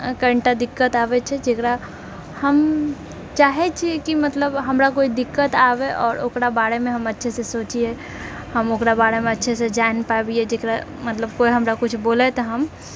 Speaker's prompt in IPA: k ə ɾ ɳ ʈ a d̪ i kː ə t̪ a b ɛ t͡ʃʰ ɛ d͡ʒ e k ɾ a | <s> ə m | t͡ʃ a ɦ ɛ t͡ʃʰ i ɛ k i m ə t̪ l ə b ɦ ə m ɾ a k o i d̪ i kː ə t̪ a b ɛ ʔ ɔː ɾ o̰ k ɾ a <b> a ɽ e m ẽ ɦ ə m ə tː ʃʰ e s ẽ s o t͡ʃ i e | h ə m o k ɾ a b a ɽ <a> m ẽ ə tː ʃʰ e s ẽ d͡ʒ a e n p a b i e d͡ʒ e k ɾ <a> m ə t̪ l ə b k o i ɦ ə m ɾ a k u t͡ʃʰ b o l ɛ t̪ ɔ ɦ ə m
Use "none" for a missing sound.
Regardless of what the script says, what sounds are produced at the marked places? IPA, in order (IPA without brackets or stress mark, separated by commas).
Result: h, b, e, a